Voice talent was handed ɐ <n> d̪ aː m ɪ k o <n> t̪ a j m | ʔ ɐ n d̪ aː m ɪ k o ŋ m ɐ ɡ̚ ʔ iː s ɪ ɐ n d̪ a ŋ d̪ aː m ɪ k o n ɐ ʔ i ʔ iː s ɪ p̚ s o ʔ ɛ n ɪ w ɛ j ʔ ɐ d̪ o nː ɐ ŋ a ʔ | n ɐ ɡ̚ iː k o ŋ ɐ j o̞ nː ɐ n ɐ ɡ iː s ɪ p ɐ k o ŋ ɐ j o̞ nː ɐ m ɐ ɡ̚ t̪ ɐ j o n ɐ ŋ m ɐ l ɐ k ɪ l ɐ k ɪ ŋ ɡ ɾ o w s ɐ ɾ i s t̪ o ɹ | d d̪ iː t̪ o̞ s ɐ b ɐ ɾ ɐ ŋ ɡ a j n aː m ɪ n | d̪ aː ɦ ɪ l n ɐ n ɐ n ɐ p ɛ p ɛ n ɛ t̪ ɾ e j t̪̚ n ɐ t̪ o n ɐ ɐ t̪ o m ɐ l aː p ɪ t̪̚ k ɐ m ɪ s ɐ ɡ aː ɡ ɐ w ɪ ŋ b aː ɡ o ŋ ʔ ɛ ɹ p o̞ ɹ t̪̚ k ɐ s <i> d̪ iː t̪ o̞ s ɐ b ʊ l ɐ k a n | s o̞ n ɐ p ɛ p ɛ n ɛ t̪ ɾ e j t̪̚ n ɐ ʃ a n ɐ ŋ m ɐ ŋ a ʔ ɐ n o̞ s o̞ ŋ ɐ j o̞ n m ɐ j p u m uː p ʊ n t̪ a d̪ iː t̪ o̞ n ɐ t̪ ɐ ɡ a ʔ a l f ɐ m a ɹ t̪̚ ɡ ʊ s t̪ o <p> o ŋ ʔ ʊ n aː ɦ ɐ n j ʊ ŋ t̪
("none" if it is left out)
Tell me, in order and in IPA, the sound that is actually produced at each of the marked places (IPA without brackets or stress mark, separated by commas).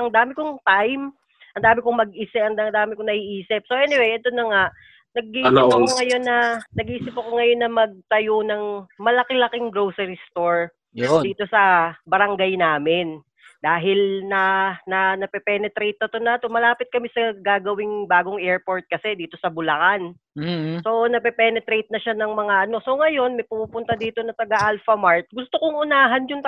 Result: ŋ, ŋ, ɛ, k